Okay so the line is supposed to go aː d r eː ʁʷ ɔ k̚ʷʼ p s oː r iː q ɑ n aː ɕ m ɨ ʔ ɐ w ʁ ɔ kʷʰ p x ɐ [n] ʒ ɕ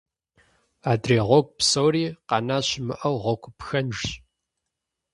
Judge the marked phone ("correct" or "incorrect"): correct